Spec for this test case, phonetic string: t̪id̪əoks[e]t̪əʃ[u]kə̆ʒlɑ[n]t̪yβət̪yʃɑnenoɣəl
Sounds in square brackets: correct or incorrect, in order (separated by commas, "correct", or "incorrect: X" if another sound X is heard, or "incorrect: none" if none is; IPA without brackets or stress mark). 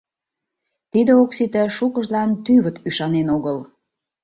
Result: incorrect: i, correct, correct